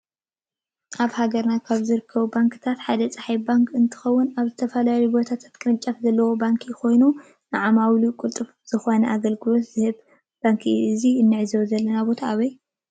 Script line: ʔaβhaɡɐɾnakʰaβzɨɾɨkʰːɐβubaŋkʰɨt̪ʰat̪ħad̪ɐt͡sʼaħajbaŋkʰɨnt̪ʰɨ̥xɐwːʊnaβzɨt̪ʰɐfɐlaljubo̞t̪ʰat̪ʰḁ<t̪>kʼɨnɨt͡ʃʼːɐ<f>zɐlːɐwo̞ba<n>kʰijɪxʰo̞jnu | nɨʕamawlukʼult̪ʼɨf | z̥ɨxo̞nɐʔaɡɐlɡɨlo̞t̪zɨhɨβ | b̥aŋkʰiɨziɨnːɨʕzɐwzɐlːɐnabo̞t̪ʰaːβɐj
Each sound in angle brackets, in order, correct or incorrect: correct, correct, incorrect: ŋ

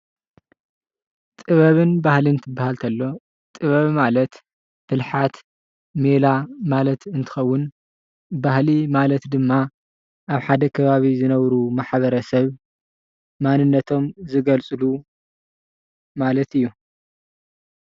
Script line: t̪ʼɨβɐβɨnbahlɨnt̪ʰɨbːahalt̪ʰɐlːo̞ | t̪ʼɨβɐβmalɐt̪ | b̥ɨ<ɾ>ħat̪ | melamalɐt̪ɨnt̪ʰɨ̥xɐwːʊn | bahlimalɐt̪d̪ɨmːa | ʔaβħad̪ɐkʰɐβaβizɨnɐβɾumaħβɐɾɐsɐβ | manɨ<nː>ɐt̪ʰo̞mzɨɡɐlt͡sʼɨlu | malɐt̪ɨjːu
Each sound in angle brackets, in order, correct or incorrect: incorrect: l, correct

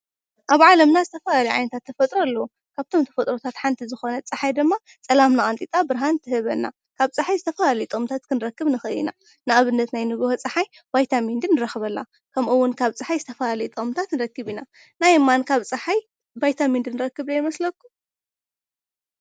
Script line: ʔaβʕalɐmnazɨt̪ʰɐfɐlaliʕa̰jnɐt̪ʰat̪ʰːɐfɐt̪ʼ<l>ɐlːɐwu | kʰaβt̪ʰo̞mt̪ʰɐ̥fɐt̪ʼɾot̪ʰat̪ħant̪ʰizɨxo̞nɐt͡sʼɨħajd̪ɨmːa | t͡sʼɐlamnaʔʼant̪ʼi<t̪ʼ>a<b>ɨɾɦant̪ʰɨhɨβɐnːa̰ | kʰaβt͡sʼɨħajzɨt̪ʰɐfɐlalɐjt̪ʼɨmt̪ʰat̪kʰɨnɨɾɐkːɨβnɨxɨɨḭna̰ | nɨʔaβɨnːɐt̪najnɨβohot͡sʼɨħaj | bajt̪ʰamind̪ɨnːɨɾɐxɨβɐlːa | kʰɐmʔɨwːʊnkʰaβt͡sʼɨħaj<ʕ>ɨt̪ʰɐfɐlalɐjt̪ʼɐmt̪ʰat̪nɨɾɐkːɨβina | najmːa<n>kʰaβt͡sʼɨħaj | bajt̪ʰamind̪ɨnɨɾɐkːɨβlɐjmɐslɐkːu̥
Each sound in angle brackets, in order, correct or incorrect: incorrect: ɾ, correct, correct, incorrect: z, correct

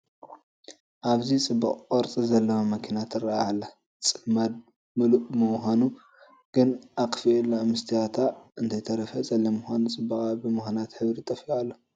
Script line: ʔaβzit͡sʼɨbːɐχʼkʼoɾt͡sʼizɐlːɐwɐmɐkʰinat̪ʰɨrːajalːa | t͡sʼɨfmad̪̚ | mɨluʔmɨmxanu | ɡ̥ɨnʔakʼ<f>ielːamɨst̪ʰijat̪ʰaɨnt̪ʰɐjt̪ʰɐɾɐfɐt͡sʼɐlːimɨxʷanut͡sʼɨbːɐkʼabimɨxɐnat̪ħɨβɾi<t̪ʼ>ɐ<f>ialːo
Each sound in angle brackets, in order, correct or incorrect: correct, correct, correct

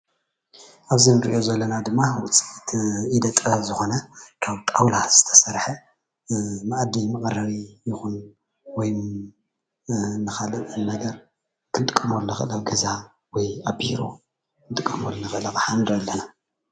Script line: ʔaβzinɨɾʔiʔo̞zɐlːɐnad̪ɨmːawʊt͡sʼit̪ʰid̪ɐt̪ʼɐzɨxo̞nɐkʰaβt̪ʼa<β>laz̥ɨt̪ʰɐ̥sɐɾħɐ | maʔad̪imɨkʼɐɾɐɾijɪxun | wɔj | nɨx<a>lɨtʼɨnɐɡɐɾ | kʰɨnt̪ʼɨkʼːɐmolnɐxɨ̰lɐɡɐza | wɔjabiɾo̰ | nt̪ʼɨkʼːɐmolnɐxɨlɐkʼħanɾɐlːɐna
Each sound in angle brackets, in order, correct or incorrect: incorrect: w, correct

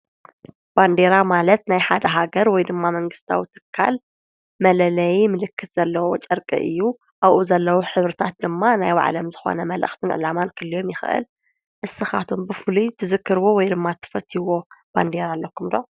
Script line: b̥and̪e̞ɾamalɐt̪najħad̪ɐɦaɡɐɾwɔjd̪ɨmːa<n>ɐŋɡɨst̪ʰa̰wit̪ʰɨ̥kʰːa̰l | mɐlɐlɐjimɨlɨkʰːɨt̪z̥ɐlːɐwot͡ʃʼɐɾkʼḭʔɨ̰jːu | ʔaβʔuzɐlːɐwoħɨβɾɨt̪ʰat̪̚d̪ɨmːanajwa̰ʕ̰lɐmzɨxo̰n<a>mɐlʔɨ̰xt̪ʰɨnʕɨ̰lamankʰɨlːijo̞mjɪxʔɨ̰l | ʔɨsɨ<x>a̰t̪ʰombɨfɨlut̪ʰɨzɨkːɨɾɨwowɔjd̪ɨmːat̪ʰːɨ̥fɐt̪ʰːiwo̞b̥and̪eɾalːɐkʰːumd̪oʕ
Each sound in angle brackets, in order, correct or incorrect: incorrect: m, incorrect: ɐ, correct

